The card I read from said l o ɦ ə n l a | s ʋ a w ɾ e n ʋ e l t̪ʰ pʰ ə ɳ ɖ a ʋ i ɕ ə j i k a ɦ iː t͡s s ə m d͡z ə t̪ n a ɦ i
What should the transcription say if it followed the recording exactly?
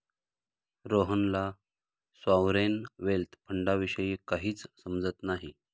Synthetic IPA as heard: ɾ o ɦ ə n l a | s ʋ a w ɾ e n ʋ e l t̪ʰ pʰ ə ɳ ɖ a ʋ i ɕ ə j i k a ɦ iː t͡s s ə m d͡z ə t̪ n a ɦ i

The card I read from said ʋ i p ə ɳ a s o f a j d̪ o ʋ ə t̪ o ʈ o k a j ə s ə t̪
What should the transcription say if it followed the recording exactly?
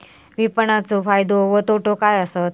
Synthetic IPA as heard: ʋ i p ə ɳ a t͡s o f a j d̪ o ʋ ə t̪ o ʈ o k a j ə s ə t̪

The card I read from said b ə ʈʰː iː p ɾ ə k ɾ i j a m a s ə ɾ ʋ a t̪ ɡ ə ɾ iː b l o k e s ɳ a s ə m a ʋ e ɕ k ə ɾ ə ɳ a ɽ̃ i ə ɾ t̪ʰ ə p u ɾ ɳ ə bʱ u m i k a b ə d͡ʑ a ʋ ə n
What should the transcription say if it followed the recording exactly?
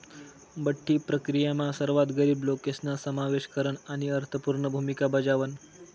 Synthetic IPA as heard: b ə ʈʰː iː p ɾ ə k ɾ i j a m a s ə ɾ ʋ a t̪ ɡ ə ɾ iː b l o k e s n a s ə m a ʋ e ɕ k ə ɾ ə ɳ a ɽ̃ i ə ɾ t̪ʰ ə p u ɾ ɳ ə bʱ u m i k a b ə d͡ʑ a ʋ ə n

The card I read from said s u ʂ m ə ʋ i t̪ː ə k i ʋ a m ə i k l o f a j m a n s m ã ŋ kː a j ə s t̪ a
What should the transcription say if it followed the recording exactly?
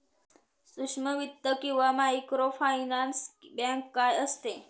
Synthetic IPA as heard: s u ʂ m ə ʋ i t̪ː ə k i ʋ a m a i k ɾ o f a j n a n s b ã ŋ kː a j ə s t̪ e

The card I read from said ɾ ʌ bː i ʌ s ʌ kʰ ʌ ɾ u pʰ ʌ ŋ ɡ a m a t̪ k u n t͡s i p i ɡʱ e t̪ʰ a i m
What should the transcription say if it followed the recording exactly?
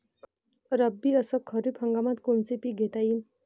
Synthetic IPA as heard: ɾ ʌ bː i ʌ s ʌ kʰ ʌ ɾ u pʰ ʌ ŋ ɡ a m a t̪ k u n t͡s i p i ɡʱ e t̪ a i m

